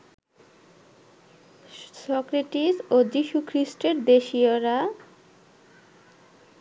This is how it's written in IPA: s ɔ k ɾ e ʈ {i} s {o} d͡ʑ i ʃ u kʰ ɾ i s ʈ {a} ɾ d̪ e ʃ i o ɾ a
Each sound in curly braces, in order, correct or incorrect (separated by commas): correct, correct, incorrect